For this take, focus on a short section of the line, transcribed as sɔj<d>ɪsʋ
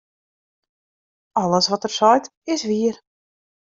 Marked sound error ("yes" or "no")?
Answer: yes